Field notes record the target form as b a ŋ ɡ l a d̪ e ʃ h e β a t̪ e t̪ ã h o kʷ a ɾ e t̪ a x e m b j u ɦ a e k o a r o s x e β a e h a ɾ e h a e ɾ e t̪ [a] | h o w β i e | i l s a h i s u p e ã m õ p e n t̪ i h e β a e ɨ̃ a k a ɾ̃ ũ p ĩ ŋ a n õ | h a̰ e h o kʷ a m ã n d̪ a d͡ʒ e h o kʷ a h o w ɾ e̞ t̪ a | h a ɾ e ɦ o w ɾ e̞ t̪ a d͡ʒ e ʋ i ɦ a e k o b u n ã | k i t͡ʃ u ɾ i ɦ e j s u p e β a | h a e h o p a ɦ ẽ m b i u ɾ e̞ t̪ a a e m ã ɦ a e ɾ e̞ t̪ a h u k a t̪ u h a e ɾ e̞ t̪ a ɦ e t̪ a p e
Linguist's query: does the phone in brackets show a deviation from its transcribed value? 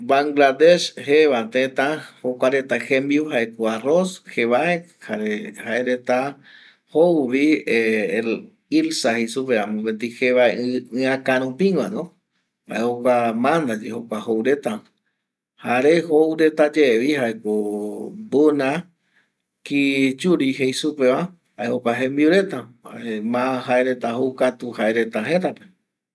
no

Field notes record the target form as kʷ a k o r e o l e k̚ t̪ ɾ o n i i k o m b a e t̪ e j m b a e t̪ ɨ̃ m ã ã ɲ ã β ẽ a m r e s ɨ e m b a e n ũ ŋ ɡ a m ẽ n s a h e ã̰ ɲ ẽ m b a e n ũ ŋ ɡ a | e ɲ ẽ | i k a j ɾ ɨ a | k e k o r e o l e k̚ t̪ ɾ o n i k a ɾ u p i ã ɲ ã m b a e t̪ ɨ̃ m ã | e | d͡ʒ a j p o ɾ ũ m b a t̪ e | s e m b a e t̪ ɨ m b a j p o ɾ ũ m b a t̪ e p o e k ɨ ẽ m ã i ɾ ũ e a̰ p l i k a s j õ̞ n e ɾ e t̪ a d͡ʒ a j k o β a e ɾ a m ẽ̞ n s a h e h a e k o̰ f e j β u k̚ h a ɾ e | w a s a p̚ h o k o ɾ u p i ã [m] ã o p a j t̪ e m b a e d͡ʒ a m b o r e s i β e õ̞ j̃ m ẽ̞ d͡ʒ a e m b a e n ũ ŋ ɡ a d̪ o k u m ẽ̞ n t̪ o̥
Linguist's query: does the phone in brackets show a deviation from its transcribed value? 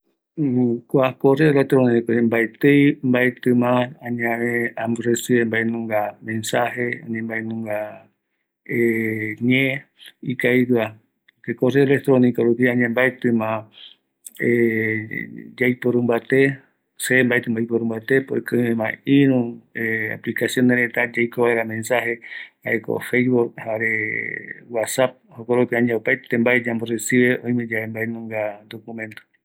yes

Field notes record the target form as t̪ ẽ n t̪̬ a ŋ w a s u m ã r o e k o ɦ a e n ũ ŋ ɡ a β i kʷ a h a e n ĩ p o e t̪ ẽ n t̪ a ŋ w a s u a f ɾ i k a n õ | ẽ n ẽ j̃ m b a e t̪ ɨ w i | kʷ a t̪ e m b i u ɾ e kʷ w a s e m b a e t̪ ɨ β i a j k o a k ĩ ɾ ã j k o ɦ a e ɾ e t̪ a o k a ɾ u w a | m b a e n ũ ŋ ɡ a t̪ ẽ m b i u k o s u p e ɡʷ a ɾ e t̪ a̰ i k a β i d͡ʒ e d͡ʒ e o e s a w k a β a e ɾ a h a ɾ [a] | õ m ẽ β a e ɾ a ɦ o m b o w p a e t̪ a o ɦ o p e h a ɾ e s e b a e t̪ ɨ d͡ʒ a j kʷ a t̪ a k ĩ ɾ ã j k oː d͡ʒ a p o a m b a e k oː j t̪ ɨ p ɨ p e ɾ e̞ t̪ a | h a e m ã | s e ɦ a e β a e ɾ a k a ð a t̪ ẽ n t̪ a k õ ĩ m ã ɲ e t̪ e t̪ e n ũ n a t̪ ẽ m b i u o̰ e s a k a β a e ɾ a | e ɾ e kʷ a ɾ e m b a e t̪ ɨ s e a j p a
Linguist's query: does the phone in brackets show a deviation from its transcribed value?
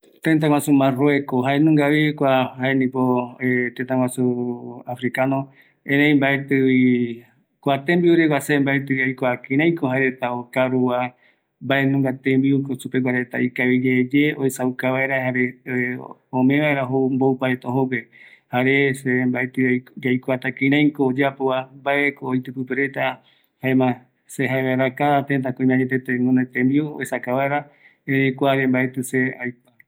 yes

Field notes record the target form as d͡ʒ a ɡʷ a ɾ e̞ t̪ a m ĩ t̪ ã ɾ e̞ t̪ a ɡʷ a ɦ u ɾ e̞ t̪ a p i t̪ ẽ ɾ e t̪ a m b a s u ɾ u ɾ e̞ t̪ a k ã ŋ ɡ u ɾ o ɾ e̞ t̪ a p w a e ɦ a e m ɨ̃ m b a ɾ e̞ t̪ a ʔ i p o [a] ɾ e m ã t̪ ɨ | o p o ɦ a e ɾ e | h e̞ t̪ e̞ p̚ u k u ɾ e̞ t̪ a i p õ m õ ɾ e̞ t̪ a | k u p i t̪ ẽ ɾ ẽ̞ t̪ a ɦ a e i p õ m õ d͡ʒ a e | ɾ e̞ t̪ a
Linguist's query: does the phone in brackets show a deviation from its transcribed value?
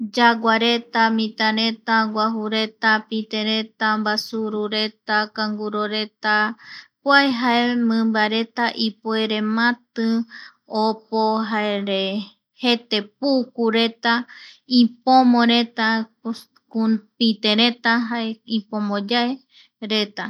yes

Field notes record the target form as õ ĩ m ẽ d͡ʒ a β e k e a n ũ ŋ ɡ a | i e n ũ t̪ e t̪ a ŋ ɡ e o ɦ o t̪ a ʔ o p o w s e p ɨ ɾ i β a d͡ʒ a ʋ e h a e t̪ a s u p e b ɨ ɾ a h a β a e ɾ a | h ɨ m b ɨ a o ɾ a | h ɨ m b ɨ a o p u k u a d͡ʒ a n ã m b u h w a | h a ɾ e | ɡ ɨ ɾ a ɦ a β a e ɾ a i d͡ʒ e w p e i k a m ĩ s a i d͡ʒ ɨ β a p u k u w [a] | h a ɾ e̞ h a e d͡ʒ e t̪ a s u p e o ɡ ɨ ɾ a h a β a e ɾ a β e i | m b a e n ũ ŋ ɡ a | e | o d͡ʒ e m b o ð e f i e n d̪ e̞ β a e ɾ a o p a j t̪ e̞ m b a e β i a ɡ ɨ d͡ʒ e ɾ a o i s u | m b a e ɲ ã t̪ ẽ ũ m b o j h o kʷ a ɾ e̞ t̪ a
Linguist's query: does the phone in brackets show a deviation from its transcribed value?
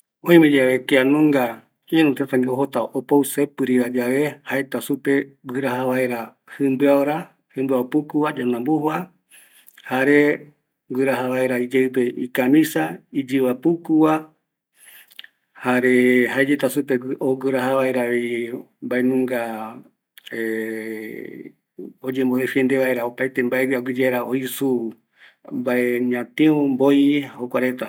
no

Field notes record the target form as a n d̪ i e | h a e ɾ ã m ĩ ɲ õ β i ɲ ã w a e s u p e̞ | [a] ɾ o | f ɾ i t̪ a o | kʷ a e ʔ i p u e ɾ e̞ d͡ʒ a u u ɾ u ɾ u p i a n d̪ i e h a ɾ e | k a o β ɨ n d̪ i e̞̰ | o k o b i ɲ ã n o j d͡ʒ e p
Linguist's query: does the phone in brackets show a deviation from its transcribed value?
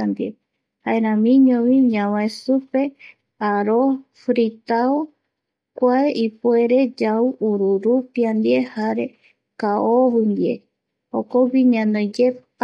no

